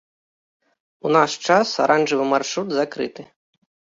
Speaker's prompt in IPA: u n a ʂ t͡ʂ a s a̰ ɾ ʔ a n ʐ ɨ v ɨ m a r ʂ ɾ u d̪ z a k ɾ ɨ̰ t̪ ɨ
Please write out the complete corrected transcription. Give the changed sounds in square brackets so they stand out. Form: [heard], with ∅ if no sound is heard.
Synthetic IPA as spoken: u n a ʂ t͡ʂ a s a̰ ɾ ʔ a n ʐ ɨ v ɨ m a r ʂ ɾ u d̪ z a k ɾ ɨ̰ t̪ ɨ